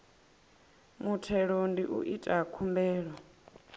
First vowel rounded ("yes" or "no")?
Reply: yes